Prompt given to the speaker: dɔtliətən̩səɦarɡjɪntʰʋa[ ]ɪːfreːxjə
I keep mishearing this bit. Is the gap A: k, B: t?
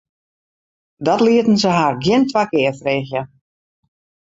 A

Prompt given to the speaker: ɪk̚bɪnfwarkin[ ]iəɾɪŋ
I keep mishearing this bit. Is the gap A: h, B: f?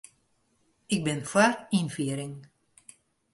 B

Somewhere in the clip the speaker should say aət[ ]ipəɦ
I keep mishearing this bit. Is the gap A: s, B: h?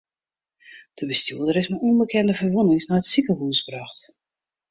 A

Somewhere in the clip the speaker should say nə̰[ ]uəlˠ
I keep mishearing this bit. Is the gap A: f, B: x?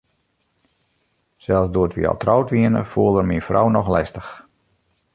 A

